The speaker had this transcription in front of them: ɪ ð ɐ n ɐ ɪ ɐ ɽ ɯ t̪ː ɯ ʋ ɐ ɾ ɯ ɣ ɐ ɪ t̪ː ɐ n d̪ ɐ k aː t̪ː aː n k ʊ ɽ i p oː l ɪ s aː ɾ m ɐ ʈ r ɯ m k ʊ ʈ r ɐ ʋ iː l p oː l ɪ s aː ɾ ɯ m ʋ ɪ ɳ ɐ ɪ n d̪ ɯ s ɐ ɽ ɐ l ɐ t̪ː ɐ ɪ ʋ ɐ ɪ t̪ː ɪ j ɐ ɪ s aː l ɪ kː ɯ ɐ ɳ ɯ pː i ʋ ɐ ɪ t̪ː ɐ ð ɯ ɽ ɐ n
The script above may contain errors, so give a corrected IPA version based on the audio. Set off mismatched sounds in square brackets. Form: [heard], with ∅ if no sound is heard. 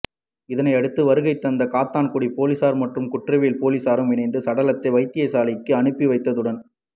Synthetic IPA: ɪ ð ɐ n ɐ ɪ ɐ ɽ ɯ t̪ː ɯ ʋ ɐ ɾ ɯ ɣ ɐ ɪ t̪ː ɐ n d̪ ɐ k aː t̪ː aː n k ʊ ɽ i p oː l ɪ s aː ɾ m ɐ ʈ r ɯ m k ʊ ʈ r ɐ ʋ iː l p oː l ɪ s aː ɾ ɯ m ʋ ɪ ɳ ɐ ɪ n d̪ ɯ s ɐ ɽ ɐ l ɐ t̪ː ɐ ɪ ʋ ɐ ɪ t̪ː ɪ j ɐ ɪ s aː l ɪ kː ɯ ɐ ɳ ɯ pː i ʋ ɐ ɪ t̪ː ɐ ð ɯ ɽ ɐ n